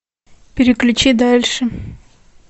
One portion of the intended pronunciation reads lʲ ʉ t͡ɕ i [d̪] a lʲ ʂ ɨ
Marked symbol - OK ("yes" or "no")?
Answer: yes